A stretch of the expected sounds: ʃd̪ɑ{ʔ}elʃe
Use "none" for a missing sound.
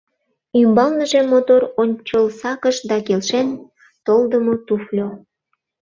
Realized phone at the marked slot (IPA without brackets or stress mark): k